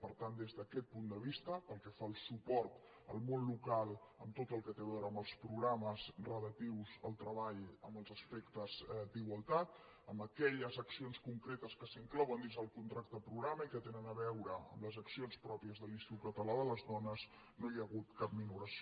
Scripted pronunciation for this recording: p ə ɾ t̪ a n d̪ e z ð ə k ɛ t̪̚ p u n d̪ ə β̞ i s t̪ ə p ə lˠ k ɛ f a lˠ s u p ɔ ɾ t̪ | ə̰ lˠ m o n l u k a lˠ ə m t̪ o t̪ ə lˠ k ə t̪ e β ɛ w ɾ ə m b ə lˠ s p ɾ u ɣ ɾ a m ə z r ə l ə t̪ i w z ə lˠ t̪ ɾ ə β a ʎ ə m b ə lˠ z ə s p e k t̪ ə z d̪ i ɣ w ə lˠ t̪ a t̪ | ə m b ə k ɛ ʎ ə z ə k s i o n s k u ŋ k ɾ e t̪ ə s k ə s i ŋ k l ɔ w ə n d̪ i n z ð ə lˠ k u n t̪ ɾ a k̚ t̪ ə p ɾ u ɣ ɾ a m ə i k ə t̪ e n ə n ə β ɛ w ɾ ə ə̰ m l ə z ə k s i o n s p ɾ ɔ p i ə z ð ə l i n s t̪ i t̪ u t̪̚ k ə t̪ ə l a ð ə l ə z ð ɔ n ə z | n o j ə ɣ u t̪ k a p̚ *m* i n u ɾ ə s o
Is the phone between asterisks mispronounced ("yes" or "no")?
no